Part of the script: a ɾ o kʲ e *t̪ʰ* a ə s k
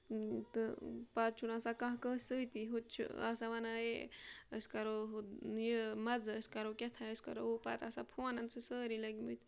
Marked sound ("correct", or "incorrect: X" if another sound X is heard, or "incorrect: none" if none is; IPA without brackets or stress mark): correct